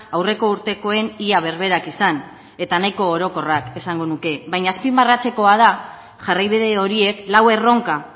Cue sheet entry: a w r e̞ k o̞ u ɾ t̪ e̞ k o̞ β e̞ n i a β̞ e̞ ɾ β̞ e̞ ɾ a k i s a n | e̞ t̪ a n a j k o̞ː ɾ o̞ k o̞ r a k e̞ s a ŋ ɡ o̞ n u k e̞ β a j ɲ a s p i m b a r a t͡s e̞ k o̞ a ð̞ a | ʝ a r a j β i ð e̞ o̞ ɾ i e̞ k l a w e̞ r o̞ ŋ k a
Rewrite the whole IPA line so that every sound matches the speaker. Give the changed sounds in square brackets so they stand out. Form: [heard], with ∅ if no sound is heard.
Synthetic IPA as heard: a w r e̞ k o̞ u ɾ t̪ e̞ k o̞ [∅] e̞ n i a β̞ e̞ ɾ β̞ e̞ ɾ a k i s a n | e̞ t̪ a n a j k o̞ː ɾ o̞ k o̞ r a k e̞ s a ŋ ɡ o̞ n u k e̞ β a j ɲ a s p i m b a r a t͡s e̞ k o̞ a ð̞ a | ʝ a r a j β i ð e̞ o̞ ɾ i e̞ k l a w e̞ r o̞ ŋ k a

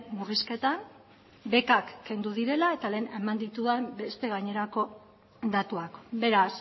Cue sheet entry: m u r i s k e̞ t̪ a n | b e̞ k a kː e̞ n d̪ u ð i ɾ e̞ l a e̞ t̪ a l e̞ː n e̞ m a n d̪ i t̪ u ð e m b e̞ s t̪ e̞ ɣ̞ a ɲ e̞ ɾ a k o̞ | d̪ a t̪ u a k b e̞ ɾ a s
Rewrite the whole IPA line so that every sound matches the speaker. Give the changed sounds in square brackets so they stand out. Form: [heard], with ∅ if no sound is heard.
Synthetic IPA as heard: m u r i s k e̞ t̪ a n | b e̞ k a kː e̞ n d̪ u ð i ɾ e̞ l a e̞ t̪ a l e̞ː n e̞ m a n d̪ i t̪ u ð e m b e̞ s t̪ e̞ ɣ̞ a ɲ e̞ ɾ a k o̞ | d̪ a t̪ u a k b e̞ ɾ a s

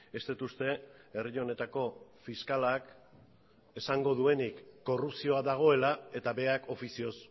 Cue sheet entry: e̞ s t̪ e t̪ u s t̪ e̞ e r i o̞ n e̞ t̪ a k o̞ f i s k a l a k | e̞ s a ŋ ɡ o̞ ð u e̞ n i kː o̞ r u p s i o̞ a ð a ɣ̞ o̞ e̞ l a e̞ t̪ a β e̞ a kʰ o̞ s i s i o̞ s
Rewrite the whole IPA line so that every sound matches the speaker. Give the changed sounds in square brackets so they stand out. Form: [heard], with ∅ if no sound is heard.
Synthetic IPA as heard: e̞ s t̪ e t̪ u s t̪ e̞ e r i o̞ n e̞ t̪ a k o̞ f i s k a l a k | e̞ s a ŋ ɡ o̞ ð u e̞ n i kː o̞ r u p s i o̞ a ð a ɣ̞ o̞ e̞ l a e̞ t̪ a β e̞ a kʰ o̞ [f] i s i o̞ s

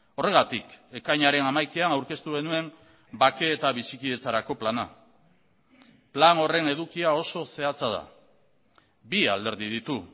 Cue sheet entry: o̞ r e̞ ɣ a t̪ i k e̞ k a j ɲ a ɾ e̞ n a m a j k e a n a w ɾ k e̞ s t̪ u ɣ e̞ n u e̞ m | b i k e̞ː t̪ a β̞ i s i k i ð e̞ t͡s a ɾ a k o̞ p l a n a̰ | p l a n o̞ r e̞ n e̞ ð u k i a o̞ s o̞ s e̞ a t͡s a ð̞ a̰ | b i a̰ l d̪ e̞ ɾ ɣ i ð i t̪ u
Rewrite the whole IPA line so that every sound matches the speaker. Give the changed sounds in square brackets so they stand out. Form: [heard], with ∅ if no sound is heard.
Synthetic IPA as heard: o̞ r e̞ ɣ a t̪ i k e̞ k a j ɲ a ɾ e̞ n a m a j k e a n a w ɾ k e̞ s t̪ u ɣ e̞ n u e̞ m | b [a] k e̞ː t̪ a β̞ i s i k i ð e̞ t͡s a ɾ a k o̞ p l a n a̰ | p l a n o̞ r e̞ n e̞ ð u k i a o̞ s o̞ s e̞ a t͡s a ð̞ a̰ | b i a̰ l d̪ e̞ ɾ [ð] i ð i t̪ u

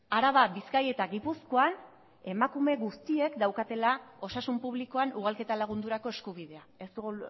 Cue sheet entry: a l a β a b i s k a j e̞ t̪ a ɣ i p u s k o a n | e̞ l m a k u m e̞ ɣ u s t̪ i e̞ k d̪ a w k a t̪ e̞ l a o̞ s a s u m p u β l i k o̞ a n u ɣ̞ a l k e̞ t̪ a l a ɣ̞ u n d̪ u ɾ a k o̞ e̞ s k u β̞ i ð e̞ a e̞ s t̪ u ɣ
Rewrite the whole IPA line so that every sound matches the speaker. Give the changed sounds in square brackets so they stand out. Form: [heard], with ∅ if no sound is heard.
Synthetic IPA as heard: a [ɾ] a β a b i s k a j e̞ t̪ a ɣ i p u s k o a n | e̞ [∅] m a k u m e̞ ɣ u s t̪ i e̞ k d̪ a w k a t̪ e̞ l a o̞ s a s u m p u β l i k o̞ a n u ɣ̞ a l k e̞ t̪ a l a ɣ̞ u n d̪ u ɾ a k o̞ e̞ s k u β̞ i ð e̞ a e̞ s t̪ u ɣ

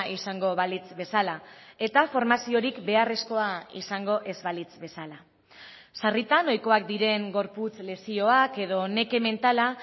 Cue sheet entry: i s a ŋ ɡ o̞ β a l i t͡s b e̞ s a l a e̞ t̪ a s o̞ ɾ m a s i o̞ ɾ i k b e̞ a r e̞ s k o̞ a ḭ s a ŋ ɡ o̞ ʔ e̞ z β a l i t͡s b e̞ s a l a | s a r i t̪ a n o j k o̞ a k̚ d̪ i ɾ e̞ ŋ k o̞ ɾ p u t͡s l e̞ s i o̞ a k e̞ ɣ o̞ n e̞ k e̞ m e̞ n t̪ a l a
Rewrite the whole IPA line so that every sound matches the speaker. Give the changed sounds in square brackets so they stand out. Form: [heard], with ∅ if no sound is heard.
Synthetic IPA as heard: i s a ŋ ɡ o̞ β a l i t͡s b e̞ s a l a e̞ t̪ a [f] o̞ ɾ m a s i o̞ ɾ i k b e̞ a r e̞ s k o̞ a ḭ s a ŋ ɡ o̞ ʔ e̞ z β a l i t͡s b e̞ s a l a | s a r i t̪ a n o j k o̞ a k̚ d̪ i ɾ e̞ ŋ [ɡ] o̞ ɾ p u t͡s l e̞ s i o̞ a k e̞ [ð] o̞ n e̞ k e̞ m e̞ n t̪ a l a

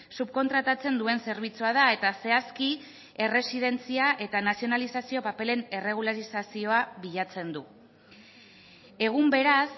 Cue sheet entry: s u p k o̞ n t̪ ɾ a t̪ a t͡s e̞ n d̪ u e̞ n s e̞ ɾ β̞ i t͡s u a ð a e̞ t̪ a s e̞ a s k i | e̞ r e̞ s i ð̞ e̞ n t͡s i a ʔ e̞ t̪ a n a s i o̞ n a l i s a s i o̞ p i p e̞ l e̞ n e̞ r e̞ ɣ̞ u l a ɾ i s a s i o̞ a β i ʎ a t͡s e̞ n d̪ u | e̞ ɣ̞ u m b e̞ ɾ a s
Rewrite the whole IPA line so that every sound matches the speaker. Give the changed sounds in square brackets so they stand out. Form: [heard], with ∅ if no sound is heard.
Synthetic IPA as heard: s u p k o̞ n t̪ ɾ a t̪ a t͡s e̞ n d̪ u e̞ n s e̞ ɾ β̞ i t͡s u a ð a e̞ t̪ a s e̞ a s k i | e̞ r e̞ s i ð̞ e̞ n t͡s i a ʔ e̞ t̪ a n a s i o̞ n a l i s a s i o̞ p [a] p e̞ l e̞ n e̞ r e̞ ɣ̞ u l a ɾ i s a s i o̞ a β i ʎ a t͡s e̞ n d̪ u | e̞ ɣ̞ u m b e̞ ɾ a s

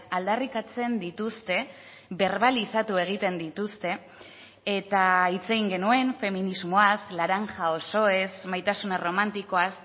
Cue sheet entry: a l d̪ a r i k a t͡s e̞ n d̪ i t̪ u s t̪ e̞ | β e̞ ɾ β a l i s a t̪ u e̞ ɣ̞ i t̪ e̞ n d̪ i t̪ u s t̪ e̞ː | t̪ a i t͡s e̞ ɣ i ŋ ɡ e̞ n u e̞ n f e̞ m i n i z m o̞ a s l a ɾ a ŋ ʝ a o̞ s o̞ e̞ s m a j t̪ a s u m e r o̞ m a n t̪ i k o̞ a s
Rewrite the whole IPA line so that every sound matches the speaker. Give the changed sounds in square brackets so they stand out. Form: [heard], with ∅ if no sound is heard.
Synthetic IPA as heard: a l d̪ a r i k a t͡s e̞ n d̪ i t̪ u s t̪ e̞ | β e̞ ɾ β a l i s a t̪ u e̞ ɣ̞ i t̪ e̞ n d̪ i t̪ u s t̪ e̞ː | t̪ a i t͡s e̞ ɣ i ŋ ɡ e̞ n u e̞ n f e̞ m i n i z m o̞ a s l a ɾ a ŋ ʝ a o̞ s o̞ e̞ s m a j t̪ a s u [n] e r o̞ m a n t̪ i k o̞ a s

